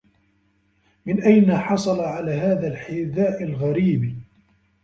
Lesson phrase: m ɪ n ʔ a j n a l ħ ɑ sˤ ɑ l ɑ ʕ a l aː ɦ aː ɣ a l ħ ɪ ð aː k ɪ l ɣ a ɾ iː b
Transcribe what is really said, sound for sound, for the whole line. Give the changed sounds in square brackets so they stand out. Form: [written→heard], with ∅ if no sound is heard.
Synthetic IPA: m ɪ n ʔ a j n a [l→∅] ħ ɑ sˤ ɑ l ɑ ʕ a l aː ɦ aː [ɣ→ð] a l ħ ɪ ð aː [k→ʔ] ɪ l ɣ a ɾ iː b